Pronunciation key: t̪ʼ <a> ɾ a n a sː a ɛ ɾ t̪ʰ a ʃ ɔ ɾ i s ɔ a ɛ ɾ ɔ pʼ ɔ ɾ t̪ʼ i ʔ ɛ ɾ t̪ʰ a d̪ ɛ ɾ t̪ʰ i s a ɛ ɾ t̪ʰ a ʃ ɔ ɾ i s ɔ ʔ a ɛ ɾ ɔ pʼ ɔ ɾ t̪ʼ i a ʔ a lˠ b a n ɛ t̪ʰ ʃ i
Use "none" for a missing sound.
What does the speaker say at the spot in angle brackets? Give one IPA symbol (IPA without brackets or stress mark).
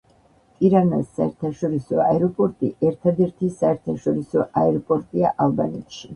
i